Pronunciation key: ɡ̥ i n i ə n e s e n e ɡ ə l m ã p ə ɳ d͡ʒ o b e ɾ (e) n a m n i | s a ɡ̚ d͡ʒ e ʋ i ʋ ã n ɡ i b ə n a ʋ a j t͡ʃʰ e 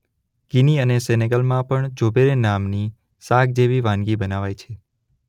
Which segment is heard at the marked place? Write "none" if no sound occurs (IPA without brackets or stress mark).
e